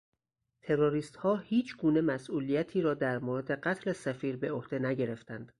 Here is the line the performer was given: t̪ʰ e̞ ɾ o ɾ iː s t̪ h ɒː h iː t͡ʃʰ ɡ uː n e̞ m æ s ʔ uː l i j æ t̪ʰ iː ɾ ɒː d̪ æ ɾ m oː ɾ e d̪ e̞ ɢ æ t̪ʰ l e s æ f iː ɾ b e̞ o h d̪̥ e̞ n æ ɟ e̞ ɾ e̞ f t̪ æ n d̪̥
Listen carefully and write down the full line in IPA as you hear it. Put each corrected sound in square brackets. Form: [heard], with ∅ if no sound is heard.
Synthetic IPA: t̪ʰ e̞ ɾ o ɾ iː s t̪ h ɒː h iː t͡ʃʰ ɡ uː n e̞ m æ s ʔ uː l i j æ t̪ʰ iː ɾ ɒː d̪ æ ɾ m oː ɾ e d̪ e̞ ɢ æ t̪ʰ l e s æ f iː ɾ b e̞ o h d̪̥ e̞ n æ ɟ e̞ ɾ e̞ f t̪ æ n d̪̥